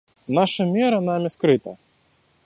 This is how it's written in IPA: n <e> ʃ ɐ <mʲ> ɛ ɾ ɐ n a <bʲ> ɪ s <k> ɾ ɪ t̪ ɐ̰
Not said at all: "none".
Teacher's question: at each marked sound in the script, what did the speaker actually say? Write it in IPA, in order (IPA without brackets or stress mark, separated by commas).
a, mʲ, mʲ, k